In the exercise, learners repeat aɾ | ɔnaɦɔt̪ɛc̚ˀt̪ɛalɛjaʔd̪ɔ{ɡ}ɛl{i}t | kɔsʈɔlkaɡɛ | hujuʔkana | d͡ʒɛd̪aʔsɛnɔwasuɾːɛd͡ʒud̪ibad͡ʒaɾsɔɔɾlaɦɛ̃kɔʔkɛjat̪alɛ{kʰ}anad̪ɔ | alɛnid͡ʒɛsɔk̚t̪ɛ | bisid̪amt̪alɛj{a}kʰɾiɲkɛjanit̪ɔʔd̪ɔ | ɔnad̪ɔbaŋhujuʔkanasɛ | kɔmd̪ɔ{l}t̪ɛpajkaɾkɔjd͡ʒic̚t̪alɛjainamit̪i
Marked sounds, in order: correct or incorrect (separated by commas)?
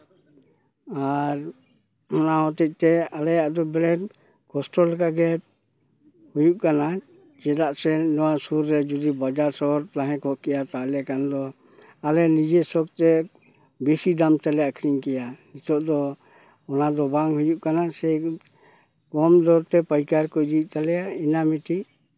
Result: incorrect, incorrect, incorrect, correct, incorrect